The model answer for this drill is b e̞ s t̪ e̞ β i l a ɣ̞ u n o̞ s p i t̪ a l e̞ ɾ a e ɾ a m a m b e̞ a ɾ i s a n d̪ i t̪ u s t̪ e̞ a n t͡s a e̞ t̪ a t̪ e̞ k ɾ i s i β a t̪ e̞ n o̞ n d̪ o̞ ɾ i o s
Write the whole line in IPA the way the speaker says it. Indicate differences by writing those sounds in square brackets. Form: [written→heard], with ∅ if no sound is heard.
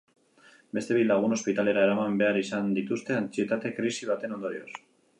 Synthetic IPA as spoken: b e̞ s t̪ e̞ β i l a ɣ̞ u n o̞ s p i t̪ a l e̞ ɾ a e ɾ a m a m b e̞ a ɾ i s a n d̪ i t̪ u s t̪ e̞ a n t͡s [a→i] e̞ t̪ a t̪ e̞ k ɾ i s i β a t̪ e̞ n o̞ n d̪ o̞ ɾ i o s